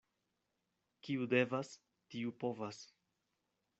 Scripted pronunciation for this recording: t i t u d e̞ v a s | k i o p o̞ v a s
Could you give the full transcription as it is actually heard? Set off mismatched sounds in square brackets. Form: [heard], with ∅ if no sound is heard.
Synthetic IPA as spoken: [k] i [∅] u d e̞ v a s | [t] i [u] p o̞ v a s